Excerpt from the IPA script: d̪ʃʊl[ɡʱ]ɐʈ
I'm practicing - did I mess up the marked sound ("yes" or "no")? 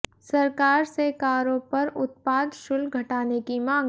no